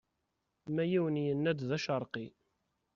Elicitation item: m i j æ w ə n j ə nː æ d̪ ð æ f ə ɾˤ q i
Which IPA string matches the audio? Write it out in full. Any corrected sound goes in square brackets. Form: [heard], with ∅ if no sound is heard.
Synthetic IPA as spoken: m [æ] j [i] w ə n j ə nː æ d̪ ð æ [ʃ] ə ɾˤ q i